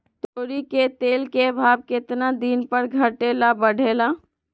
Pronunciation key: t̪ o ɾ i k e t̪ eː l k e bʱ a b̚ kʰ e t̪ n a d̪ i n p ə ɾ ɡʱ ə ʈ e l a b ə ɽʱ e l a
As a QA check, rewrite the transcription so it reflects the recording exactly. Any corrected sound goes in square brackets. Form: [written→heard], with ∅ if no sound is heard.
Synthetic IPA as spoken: t̪ o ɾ i k e t̪ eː l k e bʱ a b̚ [kʰ→k] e t̪ n a d̪ i n p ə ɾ ɡʱ ə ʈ e l a b ə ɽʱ e l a

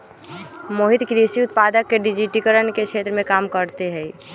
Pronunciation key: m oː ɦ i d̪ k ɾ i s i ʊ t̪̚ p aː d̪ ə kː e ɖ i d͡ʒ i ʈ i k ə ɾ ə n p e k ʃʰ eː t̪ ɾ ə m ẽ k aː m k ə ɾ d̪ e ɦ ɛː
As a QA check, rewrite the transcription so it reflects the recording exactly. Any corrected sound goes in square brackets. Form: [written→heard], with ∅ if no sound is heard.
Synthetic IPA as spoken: m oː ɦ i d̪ k ɾ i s i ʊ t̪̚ p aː d̪ ə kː e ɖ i d͡ʒ i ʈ i k ə ɾ ə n [p→k] e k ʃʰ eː t̪ ɾ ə m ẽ k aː m k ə ɾ [d̪→t̪] e ɦ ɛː

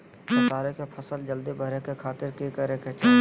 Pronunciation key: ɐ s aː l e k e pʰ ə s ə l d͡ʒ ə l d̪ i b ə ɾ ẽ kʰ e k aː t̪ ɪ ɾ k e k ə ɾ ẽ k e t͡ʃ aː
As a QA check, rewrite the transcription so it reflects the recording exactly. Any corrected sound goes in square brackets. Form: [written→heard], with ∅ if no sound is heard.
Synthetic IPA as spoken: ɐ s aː [l→ɾ] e k e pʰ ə s ə l d͡ʒ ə l d̪ i b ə ɾ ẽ [kʰ→k] e [k→kʰ] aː t̪ ɪ ɾ k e k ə ɾ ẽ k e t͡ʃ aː

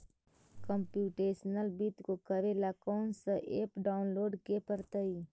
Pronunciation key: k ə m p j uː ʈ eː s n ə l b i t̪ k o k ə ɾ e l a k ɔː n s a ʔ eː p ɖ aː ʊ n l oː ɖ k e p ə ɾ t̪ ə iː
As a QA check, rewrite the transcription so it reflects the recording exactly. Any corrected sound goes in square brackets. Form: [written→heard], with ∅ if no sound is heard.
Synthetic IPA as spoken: k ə m p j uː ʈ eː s n ə l b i t̪ k o k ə ɾ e l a k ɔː n s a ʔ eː p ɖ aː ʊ n l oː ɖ k e p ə ɾ t̪ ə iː

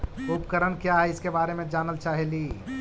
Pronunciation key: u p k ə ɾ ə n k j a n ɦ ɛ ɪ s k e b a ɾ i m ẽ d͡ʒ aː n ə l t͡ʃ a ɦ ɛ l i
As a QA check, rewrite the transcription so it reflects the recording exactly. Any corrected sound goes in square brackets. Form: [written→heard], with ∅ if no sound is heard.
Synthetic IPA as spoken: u p k ə ɾ ə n k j a [n→∅] ɦ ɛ ɪ s k e b a ɾ [i→e] m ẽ d͡ʒ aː n ə l t͡ʃ a ɦ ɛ l i

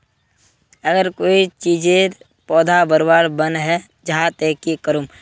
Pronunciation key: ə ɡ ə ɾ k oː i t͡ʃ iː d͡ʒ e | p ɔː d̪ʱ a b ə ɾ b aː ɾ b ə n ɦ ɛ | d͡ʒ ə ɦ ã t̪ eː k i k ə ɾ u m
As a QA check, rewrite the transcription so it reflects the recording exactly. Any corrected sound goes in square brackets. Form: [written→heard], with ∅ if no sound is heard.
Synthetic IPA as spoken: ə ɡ ə ɾ k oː i t͡ʃ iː d͡ʒ e | p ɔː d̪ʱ a b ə ɾ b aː ɾ b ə n ɦ ɛ | d͡ʒ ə ɦ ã t̪ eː k i k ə ɾ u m

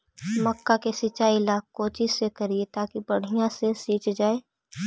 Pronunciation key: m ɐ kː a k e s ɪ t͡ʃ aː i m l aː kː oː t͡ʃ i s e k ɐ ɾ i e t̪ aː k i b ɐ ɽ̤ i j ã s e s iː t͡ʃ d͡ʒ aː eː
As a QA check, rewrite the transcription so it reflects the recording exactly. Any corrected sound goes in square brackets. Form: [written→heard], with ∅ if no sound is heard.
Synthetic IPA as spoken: m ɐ kː a k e s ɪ t͡ʃ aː i [m→∅] l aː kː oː t͡ʃ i s e k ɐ ɾ i e t̪ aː k i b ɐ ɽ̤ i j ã s e s iː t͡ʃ d͡ʒ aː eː

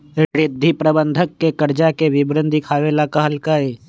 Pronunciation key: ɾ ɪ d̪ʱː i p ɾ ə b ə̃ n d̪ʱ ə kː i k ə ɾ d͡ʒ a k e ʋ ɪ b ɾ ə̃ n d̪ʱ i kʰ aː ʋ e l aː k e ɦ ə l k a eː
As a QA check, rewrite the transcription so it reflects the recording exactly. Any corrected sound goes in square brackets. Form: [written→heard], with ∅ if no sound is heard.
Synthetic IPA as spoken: ɾ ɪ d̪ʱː i p ɾ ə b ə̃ n d̪ʱ ə kː [i→e] k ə ɾ d͡ʒ a k e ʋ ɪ b ɾ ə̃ n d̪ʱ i kʰ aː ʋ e l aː k [e→a] ɦ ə l k a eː

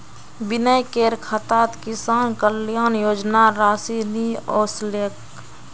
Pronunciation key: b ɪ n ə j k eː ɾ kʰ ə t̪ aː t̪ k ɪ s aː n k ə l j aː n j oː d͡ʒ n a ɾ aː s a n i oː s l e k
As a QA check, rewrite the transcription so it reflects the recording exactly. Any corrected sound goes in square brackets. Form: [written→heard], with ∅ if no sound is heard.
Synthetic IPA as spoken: b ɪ n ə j k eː ɾ kʰ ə t̪ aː t̪ k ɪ s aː n k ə l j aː n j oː d͡ʒ n a ɾ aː s [a→i] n i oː s l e k

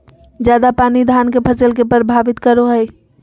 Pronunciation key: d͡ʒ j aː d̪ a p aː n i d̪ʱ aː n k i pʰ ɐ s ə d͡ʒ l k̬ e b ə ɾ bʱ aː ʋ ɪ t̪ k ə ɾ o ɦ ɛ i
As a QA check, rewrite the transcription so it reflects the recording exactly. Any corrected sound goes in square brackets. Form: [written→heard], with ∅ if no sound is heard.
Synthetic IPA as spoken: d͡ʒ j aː d̪ a p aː n i d̪ʱ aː n k [i→e] pʰ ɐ s ə [d͡ʒ→∅] l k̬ e [b→p] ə ɾ bʱ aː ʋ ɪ t̪ k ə ɾ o ɦ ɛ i

